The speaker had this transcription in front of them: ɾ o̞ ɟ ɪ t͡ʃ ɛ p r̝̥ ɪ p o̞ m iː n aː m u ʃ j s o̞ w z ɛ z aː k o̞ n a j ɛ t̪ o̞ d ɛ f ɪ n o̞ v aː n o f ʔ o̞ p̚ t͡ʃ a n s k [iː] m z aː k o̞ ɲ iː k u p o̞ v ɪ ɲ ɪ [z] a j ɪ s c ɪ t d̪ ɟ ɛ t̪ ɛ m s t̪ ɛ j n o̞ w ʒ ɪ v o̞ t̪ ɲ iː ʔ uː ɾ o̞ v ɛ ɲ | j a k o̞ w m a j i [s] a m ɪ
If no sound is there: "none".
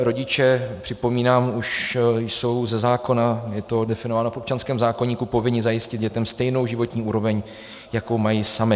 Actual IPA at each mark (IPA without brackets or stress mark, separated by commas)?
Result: ɛː, z, s